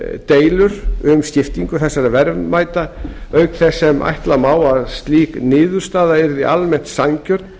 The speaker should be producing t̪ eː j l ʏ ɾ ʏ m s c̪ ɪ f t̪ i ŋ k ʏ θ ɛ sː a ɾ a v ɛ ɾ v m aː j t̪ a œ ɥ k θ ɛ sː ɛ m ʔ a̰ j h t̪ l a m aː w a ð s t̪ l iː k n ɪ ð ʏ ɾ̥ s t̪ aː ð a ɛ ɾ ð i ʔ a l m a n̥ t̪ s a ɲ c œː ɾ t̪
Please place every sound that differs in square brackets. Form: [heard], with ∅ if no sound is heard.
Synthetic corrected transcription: t̪ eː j l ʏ ɾ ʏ m s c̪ ɪ f t̪ i ŋ k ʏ θ ɛ sː a ɾ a v ɛ ɾ v m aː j t̪ a œ ɥ k θ ɛ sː ɛ m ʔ a̰ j h t̪ l a m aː w a ð s t̪ l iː k n [ɪː] ð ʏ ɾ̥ s t̪ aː ð a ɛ ɾ ð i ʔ a l m [ɛ] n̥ t̪ s a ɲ c [œ] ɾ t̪

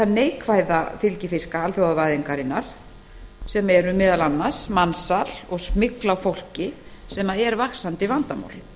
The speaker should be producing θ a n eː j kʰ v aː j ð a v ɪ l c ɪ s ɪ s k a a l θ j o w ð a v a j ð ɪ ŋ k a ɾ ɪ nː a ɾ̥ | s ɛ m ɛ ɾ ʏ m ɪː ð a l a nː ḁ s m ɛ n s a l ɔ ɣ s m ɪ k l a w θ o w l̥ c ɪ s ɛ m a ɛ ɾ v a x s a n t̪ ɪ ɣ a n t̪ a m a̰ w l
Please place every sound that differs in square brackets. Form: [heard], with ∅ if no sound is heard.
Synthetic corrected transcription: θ a n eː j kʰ v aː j ð a [f] ɪ l c ɪ [f] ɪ s k a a l θ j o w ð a v a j ð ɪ ŋ k a ɾ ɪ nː a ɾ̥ | s ɛ m ɛ ɾ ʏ m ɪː ð a l a nː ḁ s m [a] n s a l ɔ ɣ s m ɪ k l a w [f] o w l̥ c ɪ s ɛ m a ɛ ɾ v a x s a n t̪ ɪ [v] a n t̪ a m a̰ w l

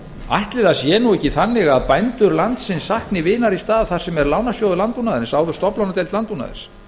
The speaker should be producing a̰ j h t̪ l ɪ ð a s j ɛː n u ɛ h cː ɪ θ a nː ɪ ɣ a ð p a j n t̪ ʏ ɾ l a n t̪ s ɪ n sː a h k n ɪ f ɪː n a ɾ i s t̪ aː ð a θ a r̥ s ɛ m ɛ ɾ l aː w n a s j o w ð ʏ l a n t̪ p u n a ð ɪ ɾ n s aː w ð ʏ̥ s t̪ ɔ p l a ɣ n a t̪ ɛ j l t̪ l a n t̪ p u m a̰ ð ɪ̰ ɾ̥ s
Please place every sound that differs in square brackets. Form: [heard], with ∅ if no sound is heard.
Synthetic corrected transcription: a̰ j h t̪ l ɪ ð a s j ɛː n u ɛ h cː ɪ θ a nː ɪ ɣ a ð p a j n t̪ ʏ ɾ l a n t̪ s ɪ n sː a h k n ɪ [v] ɪː n a ɾ i s t̪ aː ð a θ a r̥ s ɛ m ɛ ɾ l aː w n a s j o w ð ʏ l a n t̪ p u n a ð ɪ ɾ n s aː w ð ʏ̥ s t̪ ɔ p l a [w] n a t̪ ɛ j l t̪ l a n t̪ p u [n] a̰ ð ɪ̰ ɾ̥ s

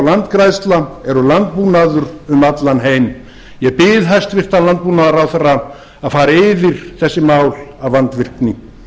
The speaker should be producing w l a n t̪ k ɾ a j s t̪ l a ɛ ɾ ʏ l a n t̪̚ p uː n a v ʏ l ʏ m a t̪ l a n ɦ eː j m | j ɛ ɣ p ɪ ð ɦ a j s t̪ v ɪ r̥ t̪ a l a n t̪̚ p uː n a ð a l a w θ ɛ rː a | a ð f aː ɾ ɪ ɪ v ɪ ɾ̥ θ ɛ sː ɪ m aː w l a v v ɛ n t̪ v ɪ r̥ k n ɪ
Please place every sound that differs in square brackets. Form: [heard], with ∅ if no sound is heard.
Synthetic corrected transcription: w l a n t̪ k ɾ a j s t̪ l a ɛ ɾ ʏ l a n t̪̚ p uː n a [ð] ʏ [ɾ] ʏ m a t̪ l a n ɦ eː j m | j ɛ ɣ p ɪ ð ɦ a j s t̪ v ɪ r̥ t̪ a l a n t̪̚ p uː n a ð a [ɾ] a w θ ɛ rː a | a ð f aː ɾ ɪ ɪ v ɪ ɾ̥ θ ɛ sː ɪ m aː w l a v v [a] n t̪ v ɪ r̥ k n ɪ

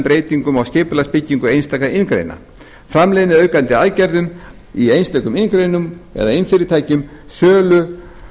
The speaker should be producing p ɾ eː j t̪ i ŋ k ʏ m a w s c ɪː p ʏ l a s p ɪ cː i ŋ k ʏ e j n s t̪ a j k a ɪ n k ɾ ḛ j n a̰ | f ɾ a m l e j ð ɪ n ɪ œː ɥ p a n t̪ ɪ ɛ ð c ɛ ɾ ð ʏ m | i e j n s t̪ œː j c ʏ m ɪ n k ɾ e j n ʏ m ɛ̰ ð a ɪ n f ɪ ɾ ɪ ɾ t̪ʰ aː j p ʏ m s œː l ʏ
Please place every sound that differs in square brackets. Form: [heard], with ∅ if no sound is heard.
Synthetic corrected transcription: p ɾ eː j t̪ i ŋ k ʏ m a w s c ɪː p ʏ l a s p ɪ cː i ŋ k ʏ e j n s t̪ a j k a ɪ n k ɾ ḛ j n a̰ | f ɾ a m l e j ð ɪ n ɪ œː ɥ [k] a n t̪ ɪ [a] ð c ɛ ɾ ð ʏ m | i e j n s t̪ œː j [k] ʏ m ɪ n k ɾ e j n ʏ m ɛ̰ ð a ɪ n f ɪ ɾ ɪ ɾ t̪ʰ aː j [c] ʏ m s œː l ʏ

